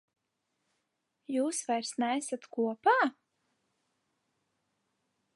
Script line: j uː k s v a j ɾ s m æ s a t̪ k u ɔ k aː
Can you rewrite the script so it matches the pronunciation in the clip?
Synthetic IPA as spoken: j uː s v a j ɾ s n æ s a t̪ k u ɔ p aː